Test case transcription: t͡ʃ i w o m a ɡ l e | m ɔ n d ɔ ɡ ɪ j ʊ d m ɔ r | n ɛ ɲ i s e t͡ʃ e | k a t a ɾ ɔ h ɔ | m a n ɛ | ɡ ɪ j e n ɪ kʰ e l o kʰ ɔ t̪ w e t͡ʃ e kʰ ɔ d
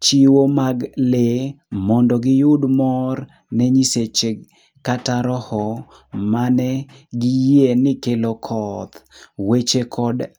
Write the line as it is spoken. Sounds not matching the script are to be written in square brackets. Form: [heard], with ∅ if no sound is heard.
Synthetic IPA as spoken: t͡ʃ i w o m a ɡ l e | m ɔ n d ɔ ɡ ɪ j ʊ d m ɔ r | n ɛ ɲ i s e t͡ʃ e | k a t a ɾ ɔ h ɔ | m a n ɛ | ɡ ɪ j e n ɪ [k] e l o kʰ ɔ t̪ w e t͡ʃ e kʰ ɔ d